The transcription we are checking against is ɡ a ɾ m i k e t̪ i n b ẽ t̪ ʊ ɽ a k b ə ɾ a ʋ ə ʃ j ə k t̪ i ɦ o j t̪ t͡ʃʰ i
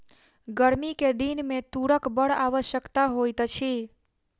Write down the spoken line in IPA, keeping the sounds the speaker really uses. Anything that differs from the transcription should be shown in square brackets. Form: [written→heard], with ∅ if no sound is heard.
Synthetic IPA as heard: ɡ [a→ə] ɾ m i k e [t̪→d̪] i n [b→m] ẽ t̪ [ʊ→u] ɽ [a→ə] k b ə [ɾ→ɽ] a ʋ ə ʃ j ə k t̪ [i→a] ɦ o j t̪ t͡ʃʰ i